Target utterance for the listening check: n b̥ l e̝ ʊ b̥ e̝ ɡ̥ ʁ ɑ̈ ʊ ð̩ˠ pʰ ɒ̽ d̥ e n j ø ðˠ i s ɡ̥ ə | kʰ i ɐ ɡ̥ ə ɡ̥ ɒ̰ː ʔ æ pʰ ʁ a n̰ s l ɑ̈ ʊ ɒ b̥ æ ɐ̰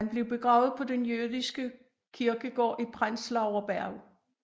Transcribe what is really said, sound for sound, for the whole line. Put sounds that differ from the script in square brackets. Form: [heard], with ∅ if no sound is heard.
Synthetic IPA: n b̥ l e̝ ʊ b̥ e̝ ɡ̥ ʁ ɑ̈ ʊ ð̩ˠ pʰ ɒ̽ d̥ e n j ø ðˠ i s ɡ̥ ə | kʰ i ɐ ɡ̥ ə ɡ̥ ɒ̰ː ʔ [i] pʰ ʁ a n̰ s l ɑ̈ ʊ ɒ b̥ æ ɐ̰